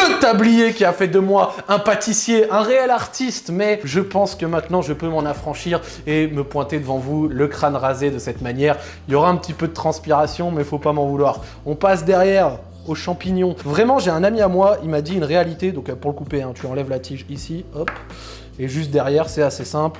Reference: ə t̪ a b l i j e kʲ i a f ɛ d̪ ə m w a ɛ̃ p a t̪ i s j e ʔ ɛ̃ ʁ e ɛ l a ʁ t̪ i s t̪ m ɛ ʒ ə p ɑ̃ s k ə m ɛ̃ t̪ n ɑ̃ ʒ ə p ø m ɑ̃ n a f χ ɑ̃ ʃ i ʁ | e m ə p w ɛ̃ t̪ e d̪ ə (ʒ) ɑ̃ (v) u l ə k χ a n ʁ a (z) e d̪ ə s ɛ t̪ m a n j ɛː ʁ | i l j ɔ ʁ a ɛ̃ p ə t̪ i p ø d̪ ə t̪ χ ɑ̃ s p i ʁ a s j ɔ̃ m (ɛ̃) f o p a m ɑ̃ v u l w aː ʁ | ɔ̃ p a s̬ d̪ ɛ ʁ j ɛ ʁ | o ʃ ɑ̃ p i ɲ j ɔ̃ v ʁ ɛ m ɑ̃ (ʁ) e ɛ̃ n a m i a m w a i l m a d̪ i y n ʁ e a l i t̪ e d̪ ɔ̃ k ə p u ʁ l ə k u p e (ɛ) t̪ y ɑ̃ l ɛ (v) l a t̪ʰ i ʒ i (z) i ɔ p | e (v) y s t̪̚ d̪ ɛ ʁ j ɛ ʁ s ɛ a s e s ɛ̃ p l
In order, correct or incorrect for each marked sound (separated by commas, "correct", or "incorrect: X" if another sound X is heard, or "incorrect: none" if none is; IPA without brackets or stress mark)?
incorrect: v, correct, correct, incorrect: ɛ, incorrect: ʒ, incorrect: ɛ̃, correct, incorrect: s, incorrect: ʒ